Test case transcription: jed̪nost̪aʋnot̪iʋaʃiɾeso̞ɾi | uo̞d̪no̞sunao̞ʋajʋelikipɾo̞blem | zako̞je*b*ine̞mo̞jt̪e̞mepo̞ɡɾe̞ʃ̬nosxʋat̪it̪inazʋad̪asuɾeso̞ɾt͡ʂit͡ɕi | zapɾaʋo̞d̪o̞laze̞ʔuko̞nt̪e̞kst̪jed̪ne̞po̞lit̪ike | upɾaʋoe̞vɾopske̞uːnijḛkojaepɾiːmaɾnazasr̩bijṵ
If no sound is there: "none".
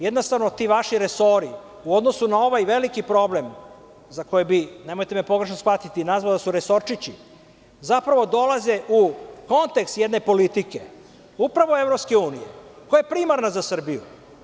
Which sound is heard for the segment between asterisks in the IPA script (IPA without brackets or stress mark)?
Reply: b